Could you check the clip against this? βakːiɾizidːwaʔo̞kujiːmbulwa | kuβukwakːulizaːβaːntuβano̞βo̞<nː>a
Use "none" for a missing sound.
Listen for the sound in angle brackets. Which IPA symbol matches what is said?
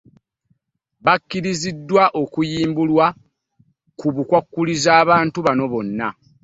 nː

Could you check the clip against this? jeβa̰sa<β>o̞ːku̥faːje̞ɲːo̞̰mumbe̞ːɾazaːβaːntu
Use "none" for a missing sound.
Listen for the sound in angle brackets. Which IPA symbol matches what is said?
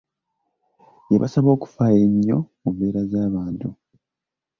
β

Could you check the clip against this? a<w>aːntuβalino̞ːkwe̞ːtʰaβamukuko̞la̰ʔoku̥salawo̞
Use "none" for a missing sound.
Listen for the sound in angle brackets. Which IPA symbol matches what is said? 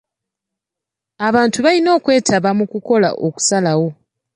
β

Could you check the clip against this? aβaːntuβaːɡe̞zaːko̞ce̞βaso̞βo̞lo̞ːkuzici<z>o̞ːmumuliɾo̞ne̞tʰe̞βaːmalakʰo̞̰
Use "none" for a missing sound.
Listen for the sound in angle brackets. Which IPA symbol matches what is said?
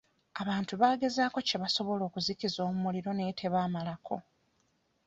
z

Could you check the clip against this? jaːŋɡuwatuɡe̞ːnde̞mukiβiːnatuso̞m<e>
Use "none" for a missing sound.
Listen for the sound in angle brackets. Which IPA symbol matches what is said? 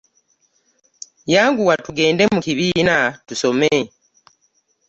e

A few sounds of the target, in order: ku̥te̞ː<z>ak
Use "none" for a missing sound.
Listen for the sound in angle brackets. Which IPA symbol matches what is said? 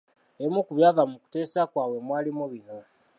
s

